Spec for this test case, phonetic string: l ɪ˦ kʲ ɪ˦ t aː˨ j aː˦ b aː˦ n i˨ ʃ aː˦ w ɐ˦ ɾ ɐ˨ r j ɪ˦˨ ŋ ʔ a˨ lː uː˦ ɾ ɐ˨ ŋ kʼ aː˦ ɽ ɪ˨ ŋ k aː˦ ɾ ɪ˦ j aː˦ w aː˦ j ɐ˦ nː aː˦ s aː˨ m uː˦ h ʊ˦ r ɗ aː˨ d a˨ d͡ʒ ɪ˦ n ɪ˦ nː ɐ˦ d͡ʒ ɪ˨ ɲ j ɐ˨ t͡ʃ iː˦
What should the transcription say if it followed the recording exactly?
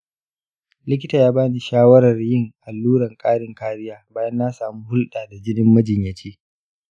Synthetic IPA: l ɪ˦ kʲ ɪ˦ t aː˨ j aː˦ b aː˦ n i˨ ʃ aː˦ w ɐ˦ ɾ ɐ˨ r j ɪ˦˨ ŋ ʔ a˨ lː uː˦ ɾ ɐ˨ ŋ kʼ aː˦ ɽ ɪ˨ ŋ k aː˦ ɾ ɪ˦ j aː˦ b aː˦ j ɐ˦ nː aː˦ s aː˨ m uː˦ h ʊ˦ l ɗ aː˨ d a˨ d͡ʒ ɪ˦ n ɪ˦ mː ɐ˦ d͡ʒ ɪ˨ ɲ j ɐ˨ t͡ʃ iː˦